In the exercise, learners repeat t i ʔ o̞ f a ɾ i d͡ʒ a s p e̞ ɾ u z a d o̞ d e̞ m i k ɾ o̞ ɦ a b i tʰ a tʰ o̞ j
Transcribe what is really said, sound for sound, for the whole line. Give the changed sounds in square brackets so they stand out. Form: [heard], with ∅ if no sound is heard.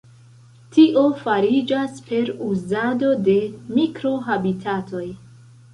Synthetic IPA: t i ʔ o̞ f a ɾ i d͡ʒ a s p e̞ ɾ u z a d o̞ d e̞ m i k ɾ o̞ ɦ a b i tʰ a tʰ o̞ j